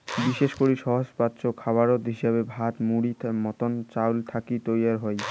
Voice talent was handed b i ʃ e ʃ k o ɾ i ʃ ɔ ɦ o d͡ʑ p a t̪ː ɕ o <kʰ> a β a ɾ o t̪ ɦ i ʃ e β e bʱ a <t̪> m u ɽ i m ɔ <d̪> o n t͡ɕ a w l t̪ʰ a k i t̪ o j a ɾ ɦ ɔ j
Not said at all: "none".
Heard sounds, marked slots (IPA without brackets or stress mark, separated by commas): kʰ, t̪, t̪